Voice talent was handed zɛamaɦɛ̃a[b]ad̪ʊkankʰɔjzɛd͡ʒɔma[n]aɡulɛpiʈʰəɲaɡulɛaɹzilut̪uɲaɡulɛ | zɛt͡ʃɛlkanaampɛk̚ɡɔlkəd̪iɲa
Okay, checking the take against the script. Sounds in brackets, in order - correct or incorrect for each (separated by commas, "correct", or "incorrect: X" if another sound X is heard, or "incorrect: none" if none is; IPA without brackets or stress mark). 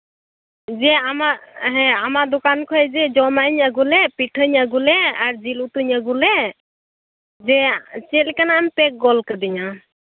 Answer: incorrect: m, incorrect: ɲ